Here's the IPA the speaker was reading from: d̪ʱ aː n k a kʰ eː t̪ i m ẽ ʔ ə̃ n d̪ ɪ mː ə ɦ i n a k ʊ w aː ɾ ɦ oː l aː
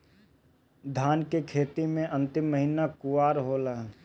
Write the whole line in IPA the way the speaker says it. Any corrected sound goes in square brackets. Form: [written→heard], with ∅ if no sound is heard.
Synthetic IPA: d̪ʱ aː n k [a→e] kʰ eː t̪ i m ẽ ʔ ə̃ n [d̪→t̪] ɪ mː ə ɦ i n a k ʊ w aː ɾ ɦ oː l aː